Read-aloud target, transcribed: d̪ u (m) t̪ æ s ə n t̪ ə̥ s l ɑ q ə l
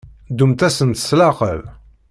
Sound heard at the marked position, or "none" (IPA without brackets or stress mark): m